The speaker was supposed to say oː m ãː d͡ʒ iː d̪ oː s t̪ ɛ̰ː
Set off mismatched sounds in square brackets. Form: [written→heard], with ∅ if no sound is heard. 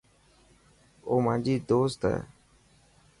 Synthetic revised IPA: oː m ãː d͡ʒ iː d̪ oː s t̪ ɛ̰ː